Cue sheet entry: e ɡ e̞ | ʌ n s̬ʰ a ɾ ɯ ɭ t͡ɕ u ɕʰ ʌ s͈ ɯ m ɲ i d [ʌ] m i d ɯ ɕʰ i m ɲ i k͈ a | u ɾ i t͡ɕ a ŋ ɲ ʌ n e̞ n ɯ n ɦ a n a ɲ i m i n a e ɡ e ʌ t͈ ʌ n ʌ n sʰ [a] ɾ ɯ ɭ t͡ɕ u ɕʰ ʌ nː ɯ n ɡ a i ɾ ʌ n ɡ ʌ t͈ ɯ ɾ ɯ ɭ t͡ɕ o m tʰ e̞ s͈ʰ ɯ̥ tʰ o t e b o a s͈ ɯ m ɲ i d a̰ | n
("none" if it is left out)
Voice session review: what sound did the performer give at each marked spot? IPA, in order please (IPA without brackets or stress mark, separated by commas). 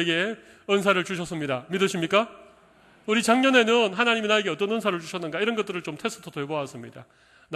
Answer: a, a